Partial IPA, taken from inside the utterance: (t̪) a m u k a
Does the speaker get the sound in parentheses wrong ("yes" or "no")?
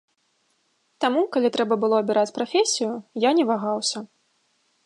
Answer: no